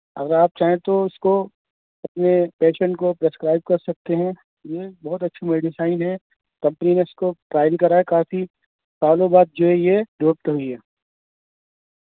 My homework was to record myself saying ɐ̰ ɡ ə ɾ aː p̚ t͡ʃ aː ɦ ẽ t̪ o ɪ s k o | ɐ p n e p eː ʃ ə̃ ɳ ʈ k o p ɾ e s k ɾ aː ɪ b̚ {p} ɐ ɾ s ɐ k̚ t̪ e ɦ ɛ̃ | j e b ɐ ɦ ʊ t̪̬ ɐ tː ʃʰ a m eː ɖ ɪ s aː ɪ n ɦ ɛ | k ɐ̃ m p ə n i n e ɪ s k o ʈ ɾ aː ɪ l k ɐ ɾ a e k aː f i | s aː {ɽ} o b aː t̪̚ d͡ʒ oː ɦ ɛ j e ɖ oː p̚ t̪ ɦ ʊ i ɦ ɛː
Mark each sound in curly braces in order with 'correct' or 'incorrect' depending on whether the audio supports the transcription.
incorrect: k, incorrect: l

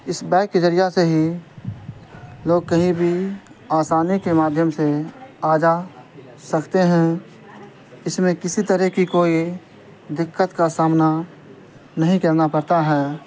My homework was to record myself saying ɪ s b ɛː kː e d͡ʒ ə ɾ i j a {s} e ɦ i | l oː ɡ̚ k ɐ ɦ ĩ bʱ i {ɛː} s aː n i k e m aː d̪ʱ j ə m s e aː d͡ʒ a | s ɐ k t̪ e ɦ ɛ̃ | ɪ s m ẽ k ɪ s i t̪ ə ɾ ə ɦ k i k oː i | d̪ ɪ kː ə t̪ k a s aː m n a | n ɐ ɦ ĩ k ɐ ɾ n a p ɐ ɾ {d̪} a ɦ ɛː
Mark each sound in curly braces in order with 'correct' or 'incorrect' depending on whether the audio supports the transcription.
correct, incorrect: aː, incorrect: t̪

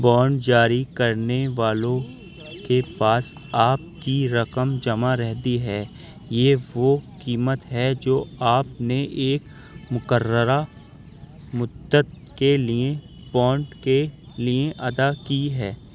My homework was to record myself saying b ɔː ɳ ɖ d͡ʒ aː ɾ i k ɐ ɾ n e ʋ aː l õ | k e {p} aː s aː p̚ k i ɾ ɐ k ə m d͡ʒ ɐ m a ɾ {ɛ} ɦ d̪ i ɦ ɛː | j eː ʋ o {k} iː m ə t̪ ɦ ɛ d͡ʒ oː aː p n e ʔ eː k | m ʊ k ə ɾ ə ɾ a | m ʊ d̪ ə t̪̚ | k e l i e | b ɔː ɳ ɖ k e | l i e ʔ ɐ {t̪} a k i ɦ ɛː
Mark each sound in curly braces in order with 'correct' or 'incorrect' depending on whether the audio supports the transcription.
correct, correct, correct, incorrect: d̪

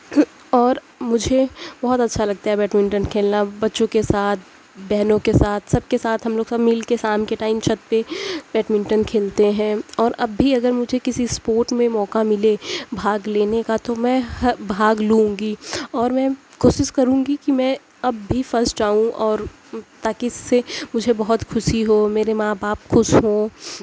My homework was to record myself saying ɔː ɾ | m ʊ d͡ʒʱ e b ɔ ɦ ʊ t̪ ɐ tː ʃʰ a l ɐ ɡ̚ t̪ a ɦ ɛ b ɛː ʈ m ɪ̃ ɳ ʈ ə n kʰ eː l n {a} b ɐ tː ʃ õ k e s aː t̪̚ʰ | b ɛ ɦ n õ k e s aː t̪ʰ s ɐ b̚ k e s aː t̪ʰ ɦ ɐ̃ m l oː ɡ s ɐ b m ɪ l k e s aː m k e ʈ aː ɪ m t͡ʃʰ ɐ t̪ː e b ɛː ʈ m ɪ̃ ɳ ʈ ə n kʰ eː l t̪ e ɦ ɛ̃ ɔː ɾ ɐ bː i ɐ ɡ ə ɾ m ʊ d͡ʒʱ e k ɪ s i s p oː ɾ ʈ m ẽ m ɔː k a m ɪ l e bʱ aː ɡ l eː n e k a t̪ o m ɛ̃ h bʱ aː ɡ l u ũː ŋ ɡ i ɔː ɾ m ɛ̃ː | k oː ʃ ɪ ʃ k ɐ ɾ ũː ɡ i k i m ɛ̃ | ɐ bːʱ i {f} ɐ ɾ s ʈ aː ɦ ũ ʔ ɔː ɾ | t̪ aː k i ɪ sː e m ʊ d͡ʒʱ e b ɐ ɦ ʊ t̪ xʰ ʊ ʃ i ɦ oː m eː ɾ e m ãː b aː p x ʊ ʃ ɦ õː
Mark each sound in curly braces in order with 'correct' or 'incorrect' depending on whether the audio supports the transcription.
correct, correct

